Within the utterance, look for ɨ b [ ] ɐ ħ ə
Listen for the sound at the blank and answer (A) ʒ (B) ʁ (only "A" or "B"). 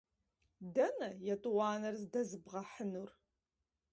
B